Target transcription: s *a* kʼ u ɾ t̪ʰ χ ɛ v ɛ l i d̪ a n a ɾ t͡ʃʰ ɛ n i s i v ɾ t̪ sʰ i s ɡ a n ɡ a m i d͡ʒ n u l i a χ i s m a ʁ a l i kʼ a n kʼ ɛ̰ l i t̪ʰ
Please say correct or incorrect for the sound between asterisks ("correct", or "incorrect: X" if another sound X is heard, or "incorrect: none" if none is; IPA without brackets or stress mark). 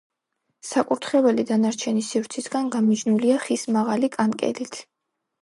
correct